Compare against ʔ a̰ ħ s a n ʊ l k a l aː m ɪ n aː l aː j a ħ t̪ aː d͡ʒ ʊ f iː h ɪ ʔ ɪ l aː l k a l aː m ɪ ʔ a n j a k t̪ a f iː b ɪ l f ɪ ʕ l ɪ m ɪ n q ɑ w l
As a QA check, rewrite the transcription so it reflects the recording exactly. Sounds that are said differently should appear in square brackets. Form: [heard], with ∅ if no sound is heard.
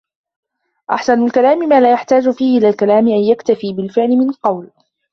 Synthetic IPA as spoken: ʔ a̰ ħ s a n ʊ l k a l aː m ɪ [m] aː l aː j a ħ t̪ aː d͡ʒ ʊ f iː h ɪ ʔ ɪ l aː l k a l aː m ɪ ʔ a n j a k t̪ a f iː b ɪ l f ɪ ʕ l ɪ m ɪ n q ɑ w l